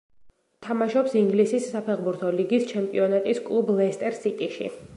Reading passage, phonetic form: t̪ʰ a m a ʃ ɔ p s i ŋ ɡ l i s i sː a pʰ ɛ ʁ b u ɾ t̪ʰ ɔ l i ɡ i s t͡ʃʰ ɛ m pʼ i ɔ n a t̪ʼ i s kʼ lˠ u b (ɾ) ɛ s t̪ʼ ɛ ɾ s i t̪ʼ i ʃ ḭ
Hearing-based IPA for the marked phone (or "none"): l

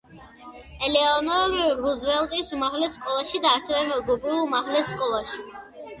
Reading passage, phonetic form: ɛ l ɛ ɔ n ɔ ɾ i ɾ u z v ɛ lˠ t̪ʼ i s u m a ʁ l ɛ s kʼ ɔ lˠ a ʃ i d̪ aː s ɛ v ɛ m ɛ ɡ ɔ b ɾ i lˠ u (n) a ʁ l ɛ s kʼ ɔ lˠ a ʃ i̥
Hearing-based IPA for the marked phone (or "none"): m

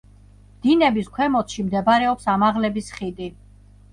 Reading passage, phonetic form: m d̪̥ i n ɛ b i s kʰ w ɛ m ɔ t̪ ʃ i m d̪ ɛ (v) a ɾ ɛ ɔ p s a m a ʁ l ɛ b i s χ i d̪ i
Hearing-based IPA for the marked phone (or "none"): b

